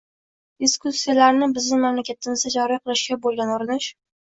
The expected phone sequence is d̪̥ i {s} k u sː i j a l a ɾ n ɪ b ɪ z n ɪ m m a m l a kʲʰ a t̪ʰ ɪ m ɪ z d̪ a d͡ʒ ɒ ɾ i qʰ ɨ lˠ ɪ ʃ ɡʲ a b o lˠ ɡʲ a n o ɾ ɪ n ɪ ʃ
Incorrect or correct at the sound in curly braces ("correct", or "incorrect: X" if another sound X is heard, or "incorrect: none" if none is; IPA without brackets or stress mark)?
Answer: correct